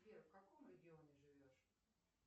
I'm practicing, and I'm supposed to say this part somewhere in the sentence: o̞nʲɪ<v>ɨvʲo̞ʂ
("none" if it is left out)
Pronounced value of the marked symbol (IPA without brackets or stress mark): ʐ